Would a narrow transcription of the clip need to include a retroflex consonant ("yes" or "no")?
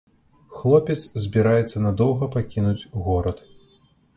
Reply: no